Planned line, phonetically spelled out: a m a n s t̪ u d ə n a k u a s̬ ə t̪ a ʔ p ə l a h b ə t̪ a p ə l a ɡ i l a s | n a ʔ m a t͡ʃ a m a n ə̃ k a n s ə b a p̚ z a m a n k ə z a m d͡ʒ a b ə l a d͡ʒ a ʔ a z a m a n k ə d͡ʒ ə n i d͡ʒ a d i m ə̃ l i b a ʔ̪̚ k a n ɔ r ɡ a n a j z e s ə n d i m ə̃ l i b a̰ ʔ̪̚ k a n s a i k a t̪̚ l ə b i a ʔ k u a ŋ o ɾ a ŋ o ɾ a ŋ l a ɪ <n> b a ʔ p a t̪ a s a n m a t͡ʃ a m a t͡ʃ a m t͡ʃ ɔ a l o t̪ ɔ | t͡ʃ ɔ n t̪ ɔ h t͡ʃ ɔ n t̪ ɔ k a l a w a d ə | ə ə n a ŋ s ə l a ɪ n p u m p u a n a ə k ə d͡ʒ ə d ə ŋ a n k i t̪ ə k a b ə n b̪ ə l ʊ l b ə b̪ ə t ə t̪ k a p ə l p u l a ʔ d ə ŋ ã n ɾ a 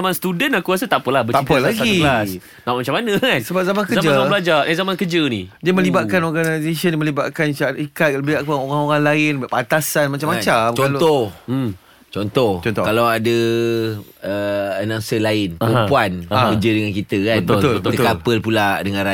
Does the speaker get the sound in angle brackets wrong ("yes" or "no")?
no